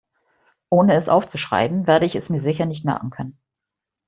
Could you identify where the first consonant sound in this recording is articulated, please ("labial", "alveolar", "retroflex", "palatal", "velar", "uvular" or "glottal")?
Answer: glottal